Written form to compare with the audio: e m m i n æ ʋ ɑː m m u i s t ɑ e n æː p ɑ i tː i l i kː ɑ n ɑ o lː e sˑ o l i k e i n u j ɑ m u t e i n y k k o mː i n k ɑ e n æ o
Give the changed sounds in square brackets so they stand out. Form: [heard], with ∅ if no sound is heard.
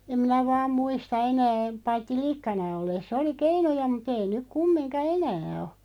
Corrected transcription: e m m i n æ ʋ ɑː m m u i s t ɑ e n æː p ɑ i tː i l i kː ɑ n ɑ o lː e sˑ o l i k e i n u j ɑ m u t e i n y k k [u] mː i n k ɑ e n [æː] o

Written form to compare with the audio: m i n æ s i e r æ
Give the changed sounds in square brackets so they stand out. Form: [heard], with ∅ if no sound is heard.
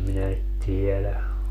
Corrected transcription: m i n æ [t] i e [l] æ

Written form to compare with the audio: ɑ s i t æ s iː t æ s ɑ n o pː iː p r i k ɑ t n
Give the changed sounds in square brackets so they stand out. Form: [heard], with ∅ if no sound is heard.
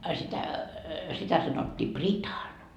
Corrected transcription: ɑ s i t æ s [i] t æ s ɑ n o [tː] iː p r i [t] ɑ [∅] n

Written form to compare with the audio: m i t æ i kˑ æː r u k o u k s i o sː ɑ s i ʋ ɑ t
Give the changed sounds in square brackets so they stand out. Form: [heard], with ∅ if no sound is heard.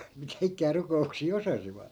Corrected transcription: m i t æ i kˑ æː r u k o u k s [iː] o [s] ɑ s i ʋ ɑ t

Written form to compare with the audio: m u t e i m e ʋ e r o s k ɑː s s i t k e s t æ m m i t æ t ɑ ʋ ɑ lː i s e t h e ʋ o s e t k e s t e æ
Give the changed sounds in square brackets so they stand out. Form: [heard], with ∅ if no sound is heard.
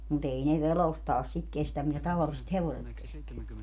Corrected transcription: m u t e i [n] e ʋ e r o s [t] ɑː s s i t k e s t æ m m i t æ t ɑ ʋ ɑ [l] i s e t h e ʋ o s e t k e s t e æ

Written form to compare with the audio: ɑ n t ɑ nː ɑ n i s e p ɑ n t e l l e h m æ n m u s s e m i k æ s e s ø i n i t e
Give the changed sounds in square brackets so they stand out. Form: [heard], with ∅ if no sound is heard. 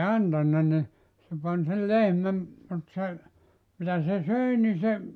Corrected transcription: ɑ n t ɑ nː ɑ n i s e p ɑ n [s] e l l e h m æ [m] m u [t] s e m i [t] æ s e s ø i n i [s] e

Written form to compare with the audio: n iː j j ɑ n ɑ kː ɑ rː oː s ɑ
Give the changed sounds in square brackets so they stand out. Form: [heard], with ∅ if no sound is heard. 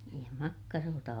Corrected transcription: n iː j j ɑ [m] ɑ kː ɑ [r] oː [t] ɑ

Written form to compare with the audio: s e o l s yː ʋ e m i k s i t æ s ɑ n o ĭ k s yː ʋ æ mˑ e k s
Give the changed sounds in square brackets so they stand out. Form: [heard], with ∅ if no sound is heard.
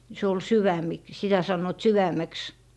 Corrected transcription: s e o l s [y] ʋ [æ] m i k s i t æ s ɑ [nː] o ĭ [t] s [y] ʋ æ mˑ e k s

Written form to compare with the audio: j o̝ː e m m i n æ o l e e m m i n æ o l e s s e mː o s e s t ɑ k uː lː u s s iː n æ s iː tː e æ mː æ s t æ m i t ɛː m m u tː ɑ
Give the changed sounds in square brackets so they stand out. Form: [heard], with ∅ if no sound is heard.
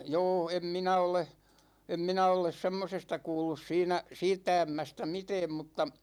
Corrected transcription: j o̝ː e m m i n æ o l e e m m i n æ o l e s s e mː o s e s t ɑ k uː lː u s s iː n æ s iː tː [æ] æ mː æ s t æ m i t ɛː m m u tː ɑ

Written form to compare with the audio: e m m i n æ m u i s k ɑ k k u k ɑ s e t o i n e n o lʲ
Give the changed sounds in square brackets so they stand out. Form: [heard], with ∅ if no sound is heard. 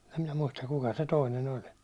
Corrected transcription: e m m i n æ m u i s [t] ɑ k k u k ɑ s e t o i n e n o lʲ

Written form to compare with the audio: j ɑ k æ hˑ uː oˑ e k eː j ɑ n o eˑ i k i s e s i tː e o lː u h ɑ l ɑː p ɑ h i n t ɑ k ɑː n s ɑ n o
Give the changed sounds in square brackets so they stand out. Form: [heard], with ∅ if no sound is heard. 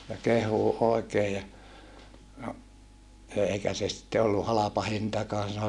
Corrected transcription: j ɑ k [e] hˑ uː oˑ e k eː j ɑ n o eˑ i k [æ] s e s i tː e o lː u h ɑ l [ɑ] p ɑ h i n t ɑ k ɑː n s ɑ n o

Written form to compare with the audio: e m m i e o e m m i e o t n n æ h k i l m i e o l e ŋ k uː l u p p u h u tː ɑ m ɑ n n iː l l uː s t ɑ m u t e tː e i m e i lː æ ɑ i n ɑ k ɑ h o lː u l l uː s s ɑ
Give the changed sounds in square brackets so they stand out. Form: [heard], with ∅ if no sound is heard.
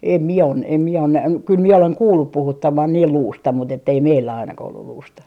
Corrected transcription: e m m i e o e m m i e o [∅] n n æ h k [y] l m i e o l e ŋ k uː [lː] u p p u h u tː ɑ m ɑ n n iː l l uː s t ɑ m u t e tː e i m e i lː æ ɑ i n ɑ k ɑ h o lː u l l uː s [t] ɑ

